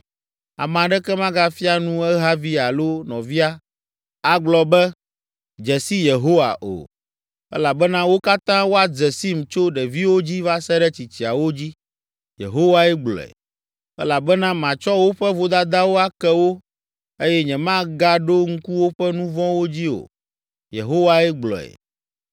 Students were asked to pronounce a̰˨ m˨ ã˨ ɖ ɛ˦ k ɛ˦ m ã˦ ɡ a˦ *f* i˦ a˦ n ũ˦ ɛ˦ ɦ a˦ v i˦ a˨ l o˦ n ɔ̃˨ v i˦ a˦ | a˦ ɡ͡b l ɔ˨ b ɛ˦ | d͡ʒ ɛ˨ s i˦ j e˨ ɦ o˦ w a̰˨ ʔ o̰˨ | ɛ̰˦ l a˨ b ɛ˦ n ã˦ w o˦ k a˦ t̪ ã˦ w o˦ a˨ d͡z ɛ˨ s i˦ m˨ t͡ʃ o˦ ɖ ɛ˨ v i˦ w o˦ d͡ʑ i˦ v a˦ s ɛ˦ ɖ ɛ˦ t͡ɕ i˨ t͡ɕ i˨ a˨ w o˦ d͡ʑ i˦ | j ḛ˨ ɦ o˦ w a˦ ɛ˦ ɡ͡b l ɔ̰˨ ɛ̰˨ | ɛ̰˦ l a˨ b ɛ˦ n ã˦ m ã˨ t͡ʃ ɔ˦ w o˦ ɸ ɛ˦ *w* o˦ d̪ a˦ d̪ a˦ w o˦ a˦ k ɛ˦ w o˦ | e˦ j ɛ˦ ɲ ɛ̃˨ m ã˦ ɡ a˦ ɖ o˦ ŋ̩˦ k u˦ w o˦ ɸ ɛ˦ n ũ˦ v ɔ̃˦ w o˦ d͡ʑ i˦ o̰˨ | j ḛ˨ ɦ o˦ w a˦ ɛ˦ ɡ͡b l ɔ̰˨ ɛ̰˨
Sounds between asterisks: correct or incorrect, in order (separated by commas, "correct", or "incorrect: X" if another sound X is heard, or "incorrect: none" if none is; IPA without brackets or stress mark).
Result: correct, incorrect: v